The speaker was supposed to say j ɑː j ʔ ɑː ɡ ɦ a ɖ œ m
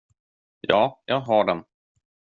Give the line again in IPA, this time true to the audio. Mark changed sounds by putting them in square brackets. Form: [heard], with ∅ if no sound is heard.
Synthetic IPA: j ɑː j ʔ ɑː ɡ ɦ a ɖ [ɛ] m